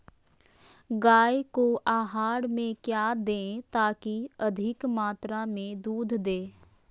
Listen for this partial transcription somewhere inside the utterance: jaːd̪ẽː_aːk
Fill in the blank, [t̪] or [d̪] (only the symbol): t̪